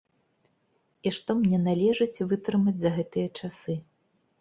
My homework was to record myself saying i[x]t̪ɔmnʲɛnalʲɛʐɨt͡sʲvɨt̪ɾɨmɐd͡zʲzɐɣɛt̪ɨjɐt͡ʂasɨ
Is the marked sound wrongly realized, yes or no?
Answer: yes